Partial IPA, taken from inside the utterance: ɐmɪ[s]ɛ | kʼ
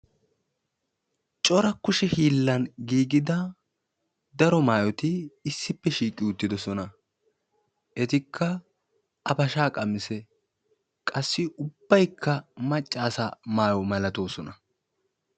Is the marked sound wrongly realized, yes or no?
no